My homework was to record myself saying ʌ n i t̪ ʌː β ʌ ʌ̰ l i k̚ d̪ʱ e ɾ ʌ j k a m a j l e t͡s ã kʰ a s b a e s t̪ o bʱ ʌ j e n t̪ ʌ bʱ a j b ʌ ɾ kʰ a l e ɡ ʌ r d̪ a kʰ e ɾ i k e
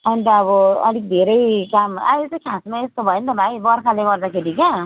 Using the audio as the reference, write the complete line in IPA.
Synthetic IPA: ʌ n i t̪ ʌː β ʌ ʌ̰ l i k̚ d̪ʱ e ɾ ʌ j k a m a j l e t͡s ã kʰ a s m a e s t̪ o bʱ ʌ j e n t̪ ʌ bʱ a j b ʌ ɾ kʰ a l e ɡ ʌ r d̪ a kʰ e ɾ i k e